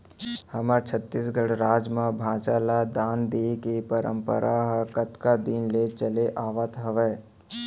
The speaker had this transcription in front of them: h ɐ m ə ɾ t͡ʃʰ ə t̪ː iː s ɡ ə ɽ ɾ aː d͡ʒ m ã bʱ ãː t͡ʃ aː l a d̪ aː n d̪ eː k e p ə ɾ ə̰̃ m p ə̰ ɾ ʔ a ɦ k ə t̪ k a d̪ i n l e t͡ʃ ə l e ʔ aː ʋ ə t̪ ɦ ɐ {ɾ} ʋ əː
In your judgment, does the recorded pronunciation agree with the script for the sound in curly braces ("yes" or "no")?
no